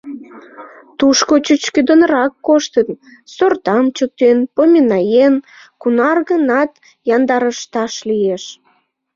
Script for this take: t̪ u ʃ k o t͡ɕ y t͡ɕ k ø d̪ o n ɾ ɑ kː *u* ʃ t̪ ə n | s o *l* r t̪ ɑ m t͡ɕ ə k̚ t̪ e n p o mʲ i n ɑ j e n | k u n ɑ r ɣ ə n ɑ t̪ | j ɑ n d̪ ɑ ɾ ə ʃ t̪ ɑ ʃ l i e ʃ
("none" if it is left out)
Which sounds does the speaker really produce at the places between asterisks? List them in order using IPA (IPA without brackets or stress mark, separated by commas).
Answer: o, none